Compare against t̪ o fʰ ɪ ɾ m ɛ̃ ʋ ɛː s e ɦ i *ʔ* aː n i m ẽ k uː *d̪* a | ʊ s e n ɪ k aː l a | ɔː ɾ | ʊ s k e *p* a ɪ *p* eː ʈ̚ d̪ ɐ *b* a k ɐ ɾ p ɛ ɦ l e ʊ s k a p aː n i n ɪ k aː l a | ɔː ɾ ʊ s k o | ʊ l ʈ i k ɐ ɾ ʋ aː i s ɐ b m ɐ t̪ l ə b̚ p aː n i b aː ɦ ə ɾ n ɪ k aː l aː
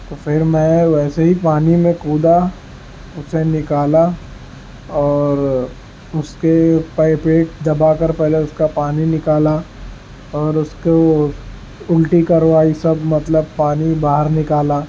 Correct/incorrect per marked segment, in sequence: incorrect: p, correct, correct, correct, correct

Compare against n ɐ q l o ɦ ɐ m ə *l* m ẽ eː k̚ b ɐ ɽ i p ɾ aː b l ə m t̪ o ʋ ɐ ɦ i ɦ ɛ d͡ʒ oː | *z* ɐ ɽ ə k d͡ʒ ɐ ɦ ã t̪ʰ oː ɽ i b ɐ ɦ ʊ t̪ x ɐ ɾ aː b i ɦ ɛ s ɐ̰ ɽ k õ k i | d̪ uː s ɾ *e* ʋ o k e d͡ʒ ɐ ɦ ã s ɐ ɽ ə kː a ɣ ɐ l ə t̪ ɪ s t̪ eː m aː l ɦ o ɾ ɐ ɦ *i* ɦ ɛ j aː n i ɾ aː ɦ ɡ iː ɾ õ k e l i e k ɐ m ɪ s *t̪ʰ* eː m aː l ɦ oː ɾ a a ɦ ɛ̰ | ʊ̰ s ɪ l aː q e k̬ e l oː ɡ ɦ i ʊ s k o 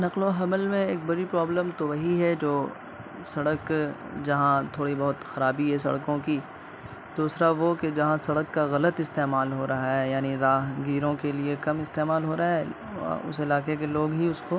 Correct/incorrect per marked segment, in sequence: correct, incorrect: s, incorrect: a, incorrect: a, incorrect: t̪

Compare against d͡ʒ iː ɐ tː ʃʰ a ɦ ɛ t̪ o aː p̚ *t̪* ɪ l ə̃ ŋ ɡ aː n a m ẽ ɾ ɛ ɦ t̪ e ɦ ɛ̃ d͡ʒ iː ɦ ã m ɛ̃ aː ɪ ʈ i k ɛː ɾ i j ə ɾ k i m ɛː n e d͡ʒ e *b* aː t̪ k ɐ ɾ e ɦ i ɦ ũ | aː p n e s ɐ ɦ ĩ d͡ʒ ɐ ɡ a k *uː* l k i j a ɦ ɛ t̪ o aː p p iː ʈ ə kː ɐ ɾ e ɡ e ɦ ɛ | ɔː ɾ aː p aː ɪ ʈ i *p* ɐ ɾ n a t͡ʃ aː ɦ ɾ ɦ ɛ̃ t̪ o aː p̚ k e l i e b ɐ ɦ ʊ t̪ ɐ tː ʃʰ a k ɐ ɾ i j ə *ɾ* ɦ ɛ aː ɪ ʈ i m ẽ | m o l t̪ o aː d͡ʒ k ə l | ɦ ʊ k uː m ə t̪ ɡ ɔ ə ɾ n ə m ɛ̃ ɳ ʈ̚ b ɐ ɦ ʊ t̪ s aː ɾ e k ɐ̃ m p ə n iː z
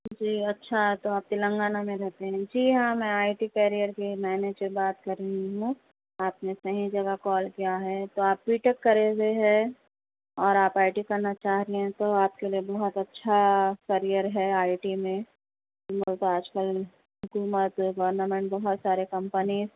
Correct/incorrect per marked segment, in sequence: correct, correct, incorrect: ɔː, incorrect: k, correct

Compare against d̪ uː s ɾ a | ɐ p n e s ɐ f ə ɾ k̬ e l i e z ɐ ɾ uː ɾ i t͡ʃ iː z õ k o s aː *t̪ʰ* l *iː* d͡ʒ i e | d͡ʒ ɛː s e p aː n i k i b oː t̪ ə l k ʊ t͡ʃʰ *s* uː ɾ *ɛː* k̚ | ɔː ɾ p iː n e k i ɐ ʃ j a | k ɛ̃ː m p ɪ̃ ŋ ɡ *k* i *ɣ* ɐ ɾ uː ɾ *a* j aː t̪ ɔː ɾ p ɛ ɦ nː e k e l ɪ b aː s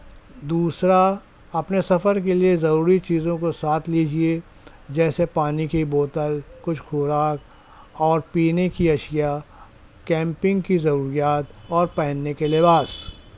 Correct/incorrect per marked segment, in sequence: correct, correct, incorrect: x, incorrect: aː, correct, incorrect: z, incorrect: i

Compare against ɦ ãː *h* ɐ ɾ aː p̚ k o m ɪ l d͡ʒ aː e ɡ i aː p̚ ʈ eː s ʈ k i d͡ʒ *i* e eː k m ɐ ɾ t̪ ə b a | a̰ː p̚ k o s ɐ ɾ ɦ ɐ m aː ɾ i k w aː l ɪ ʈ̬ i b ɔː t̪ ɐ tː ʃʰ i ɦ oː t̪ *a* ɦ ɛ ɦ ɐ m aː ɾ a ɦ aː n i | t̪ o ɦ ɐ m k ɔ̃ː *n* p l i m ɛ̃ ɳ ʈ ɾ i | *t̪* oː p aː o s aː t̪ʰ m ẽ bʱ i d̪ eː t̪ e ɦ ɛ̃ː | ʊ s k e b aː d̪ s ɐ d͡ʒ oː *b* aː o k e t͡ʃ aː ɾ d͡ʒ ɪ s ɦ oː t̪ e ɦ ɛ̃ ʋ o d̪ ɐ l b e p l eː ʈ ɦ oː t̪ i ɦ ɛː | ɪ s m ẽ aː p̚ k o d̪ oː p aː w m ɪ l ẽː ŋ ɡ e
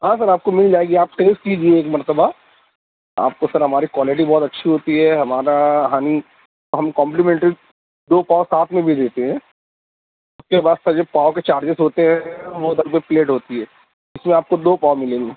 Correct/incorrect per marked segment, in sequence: incorrect: s, correct, incorrect: i, incorrect: m, incorrect: d̪, incorrect: p

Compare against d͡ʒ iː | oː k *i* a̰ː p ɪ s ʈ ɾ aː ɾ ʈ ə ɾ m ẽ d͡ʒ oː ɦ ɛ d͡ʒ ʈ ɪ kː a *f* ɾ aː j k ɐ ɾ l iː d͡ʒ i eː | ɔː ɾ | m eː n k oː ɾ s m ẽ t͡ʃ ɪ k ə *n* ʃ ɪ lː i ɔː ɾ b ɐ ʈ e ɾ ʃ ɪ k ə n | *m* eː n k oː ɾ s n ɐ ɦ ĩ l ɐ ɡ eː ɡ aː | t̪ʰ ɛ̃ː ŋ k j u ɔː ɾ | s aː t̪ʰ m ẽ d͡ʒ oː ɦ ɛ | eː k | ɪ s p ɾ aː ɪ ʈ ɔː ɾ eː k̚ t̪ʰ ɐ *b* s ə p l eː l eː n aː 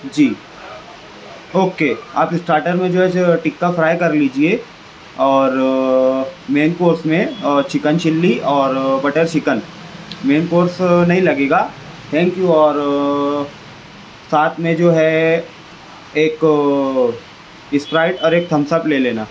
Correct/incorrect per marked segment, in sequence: incorrect: e, correct, correct, correct, incorrect: m

